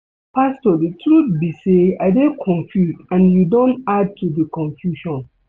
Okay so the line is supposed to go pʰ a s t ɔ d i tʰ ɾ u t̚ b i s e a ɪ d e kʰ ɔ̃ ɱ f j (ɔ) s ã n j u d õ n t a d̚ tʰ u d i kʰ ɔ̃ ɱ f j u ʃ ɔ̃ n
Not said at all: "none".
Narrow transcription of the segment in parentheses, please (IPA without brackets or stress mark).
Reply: u